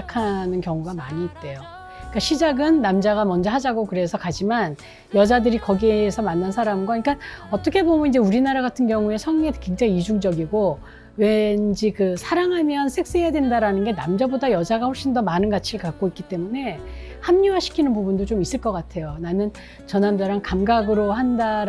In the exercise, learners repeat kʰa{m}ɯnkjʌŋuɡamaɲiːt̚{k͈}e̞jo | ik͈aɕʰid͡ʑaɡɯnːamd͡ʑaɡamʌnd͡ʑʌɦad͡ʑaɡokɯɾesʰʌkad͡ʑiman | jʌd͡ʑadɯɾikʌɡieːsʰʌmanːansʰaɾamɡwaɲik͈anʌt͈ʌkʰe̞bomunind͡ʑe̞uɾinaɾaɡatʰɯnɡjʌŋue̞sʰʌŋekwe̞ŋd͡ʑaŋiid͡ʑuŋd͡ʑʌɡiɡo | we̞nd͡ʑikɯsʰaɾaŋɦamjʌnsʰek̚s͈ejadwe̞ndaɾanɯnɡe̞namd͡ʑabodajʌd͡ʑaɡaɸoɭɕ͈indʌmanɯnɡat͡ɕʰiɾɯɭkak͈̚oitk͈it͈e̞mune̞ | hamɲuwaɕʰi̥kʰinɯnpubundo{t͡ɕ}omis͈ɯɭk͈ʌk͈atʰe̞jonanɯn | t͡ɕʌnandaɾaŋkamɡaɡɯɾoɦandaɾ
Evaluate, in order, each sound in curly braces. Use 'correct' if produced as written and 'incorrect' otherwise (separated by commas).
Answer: incorrect, incorrect, correct